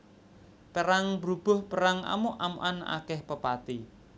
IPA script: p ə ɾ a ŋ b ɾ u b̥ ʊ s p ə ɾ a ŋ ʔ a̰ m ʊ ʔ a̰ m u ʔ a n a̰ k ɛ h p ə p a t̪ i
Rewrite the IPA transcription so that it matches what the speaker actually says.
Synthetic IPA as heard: p ə ɾ a ŋ b ɾ u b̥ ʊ h p ə ɾ a ŋ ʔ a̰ m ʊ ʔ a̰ m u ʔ a n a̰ k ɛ h p ə p a t̪ i

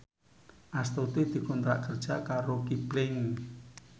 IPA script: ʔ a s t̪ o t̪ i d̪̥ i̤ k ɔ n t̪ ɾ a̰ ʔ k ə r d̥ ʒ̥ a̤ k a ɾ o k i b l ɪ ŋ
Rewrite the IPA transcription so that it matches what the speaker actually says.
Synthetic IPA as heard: ʔ a s t̪ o t̪ i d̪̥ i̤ k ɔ n t̪ ɾ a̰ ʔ k ə r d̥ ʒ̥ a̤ k a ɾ o k i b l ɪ ŋ

